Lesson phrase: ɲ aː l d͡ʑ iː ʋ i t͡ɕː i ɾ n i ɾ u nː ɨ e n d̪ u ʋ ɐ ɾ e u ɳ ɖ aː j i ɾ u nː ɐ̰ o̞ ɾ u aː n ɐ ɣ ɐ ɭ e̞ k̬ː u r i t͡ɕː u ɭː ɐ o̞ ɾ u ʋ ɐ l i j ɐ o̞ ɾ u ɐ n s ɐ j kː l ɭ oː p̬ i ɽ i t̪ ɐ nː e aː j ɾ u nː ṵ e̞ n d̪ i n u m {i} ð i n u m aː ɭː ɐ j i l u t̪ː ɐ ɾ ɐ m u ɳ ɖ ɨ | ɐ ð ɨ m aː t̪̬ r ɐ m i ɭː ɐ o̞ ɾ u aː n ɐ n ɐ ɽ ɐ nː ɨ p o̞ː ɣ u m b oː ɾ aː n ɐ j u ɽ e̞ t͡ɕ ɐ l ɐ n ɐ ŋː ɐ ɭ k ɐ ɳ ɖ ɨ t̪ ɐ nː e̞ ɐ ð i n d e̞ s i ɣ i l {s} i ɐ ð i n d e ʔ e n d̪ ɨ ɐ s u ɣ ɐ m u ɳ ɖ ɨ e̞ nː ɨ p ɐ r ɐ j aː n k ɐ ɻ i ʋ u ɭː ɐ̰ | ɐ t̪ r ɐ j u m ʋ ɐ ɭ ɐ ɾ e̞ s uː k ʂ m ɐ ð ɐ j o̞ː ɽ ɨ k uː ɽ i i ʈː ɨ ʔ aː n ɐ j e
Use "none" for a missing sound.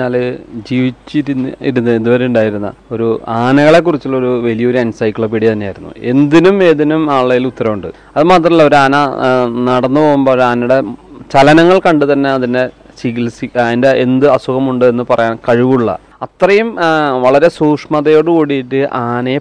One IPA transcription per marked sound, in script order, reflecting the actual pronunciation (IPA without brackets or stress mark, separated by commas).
e, s